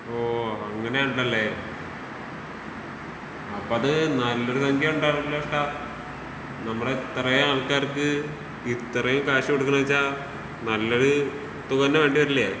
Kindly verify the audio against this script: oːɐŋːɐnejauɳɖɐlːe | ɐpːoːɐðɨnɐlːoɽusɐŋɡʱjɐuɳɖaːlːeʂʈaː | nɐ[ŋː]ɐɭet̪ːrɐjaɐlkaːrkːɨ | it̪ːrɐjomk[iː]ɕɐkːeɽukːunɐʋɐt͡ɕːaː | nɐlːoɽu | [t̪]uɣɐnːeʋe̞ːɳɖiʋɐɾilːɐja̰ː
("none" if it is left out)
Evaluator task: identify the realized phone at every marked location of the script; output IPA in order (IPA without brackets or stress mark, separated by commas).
mː, aː, t̪